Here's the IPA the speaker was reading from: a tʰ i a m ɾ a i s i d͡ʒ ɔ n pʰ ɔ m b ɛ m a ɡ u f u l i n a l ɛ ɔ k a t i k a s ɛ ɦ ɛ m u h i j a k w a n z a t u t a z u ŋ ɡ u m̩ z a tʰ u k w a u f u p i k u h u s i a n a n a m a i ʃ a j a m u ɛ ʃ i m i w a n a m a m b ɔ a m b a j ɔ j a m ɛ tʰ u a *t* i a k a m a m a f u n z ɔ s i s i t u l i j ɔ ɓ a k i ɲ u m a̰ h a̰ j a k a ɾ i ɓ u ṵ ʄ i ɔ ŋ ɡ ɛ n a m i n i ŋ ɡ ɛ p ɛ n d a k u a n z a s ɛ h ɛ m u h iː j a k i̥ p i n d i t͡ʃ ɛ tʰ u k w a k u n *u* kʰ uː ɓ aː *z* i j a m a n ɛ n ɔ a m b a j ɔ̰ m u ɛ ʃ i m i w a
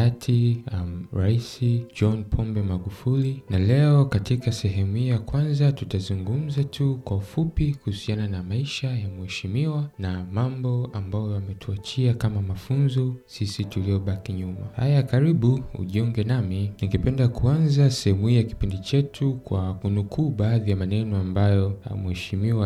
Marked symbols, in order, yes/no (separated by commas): no, yes, no